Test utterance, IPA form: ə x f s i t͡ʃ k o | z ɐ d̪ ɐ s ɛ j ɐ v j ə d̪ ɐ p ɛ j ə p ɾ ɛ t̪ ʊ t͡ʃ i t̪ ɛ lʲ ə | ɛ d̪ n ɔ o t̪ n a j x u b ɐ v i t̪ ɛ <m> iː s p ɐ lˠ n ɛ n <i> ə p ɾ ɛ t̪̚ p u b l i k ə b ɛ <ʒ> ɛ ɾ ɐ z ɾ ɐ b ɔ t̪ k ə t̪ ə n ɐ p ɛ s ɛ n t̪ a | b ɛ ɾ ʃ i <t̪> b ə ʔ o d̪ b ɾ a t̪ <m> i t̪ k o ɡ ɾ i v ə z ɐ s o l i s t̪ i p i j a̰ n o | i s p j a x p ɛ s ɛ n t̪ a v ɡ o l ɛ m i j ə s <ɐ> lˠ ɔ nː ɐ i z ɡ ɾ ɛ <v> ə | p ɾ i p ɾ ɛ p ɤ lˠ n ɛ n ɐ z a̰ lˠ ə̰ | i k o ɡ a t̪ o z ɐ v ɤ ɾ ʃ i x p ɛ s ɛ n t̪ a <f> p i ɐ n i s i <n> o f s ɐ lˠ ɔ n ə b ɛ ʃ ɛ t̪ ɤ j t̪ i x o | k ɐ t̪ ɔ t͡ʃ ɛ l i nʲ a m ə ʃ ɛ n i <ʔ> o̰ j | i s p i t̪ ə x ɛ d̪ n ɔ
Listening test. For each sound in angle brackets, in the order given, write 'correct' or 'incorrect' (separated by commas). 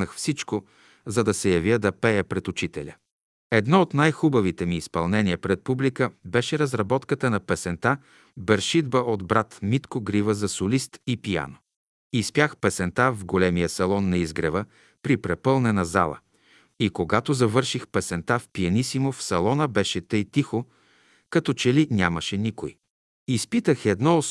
correct, correct, incorrect, incorrect, correct, correct, correct, correct, incorrect, incorrect